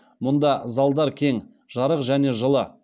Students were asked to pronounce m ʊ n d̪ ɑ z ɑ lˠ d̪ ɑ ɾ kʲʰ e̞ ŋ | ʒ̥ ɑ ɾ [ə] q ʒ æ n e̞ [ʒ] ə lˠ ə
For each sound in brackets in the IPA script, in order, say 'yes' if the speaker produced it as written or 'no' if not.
yes, yes

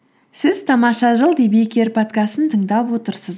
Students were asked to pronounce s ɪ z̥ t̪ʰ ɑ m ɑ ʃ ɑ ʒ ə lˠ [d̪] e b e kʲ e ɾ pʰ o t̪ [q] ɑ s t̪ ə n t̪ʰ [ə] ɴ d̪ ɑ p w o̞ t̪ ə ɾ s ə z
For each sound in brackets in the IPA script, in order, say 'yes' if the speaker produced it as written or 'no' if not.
yes, no, yes

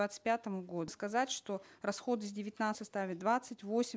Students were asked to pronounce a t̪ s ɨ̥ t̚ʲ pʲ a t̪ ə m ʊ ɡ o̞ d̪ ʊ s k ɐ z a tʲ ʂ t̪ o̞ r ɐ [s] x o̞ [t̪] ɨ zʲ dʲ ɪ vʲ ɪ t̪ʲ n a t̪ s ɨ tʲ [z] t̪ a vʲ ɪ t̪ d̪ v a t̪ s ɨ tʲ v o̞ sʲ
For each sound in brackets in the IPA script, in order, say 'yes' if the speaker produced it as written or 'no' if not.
yes, no, no

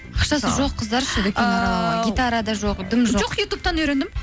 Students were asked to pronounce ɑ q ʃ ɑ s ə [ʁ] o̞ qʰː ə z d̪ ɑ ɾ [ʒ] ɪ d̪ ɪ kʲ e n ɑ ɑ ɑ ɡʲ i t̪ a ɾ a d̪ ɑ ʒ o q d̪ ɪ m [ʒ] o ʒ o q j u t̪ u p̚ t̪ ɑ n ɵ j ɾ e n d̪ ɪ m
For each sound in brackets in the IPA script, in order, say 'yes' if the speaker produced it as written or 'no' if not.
no, no, yes

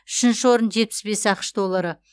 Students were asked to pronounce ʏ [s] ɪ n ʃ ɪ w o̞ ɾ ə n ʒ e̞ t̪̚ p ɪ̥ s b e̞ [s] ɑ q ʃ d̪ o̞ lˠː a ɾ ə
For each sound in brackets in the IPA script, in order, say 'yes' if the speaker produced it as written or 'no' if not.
no, yes

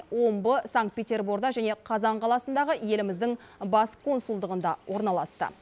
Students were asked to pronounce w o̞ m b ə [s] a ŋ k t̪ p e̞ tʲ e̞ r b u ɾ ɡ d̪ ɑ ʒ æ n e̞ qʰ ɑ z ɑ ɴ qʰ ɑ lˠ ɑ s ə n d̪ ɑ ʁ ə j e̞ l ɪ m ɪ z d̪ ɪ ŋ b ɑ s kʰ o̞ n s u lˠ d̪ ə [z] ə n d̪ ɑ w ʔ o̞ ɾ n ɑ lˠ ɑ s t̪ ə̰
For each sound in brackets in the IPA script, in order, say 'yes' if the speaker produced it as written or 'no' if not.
yes, no

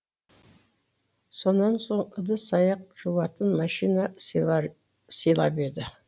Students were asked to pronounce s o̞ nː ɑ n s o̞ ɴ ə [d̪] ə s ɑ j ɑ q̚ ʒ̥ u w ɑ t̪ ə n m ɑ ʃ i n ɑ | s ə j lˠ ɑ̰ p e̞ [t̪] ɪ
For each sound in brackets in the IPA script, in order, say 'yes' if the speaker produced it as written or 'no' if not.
yes, no

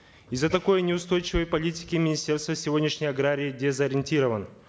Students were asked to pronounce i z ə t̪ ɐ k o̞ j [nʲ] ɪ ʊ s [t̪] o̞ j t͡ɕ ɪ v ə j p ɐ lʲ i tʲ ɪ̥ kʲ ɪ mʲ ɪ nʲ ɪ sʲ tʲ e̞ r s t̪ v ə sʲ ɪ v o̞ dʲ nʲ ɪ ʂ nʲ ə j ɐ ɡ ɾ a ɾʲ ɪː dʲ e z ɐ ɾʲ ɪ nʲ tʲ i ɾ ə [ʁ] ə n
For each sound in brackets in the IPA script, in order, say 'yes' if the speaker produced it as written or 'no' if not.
yes, yes, no

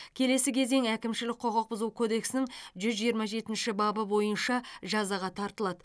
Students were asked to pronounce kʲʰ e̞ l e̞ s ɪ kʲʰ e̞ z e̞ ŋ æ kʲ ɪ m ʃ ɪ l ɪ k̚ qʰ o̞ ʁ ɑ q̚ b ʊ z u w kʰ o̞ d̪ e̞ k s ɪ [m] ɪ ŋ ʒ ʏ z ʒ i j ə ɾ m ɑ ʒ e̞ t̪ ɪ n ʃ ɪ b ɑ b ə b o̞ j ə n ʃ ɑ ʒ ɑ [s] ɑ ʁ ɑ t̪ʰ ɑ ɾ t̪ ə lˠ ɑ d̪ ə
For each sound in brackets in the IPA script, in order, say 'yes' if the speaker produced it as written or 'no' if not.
no, no

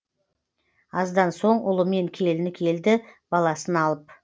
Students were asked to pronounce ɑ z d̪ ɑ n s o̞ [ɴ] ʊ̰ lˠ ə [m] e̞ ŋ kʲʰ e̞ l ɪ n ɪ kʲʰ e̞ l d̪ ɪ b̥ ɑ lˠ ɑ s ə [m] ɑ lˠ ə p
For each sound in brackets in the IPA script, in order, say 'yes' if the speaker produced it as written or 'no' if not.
yes, yes, no

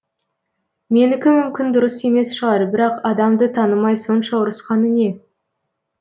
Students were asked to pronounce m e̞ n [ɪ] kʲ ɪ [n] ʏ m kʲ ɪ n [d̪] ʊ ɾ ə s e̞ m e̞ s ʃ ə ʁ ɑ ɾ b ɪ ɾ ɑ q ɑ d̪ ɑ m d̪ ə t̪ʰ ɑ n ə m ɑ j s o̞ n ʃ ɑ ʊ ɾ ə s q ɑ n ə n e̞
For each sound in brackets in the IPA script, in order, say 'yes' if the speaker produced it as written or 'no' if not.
yes, no, yes

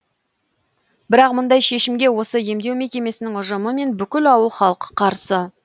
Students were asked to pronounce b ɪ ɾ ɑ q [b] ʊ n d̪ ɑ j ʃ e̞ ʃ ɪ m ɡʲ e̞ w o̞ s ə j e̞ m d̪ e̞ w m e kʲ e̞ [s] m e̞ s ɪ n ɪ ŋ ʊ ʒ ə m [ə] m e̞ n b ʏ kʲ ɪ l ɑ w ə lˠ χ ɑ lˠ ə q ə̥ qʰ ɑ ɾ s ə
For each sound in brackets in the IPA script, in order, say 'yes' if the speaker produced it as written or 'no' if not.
no, no, yes

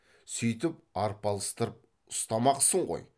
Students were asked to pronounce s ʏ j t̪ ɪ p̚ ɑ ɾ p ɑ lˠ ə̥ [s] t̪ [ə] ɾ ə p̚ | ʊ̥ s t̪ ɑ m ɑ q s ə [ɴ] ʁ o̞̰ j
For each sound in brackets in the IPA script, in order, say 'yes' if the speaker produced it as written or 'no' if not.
yes, yes, yes

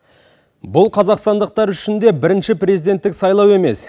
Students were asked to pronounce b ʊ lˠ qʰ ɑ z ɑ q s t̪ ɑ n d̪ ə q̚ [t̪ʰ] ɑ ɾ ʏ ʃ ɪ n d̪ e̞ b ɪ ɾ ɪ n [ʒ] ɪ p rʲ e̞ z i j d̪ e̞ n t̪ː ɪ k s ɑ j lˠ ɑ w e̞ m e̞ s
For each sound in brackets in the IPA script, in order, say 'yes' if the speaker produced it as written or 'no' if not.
no, no

